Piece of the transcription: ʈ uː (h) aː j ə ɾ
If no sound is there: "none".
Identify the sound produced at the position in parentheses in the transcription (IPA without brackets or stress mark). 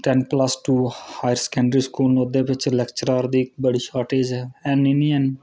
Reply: h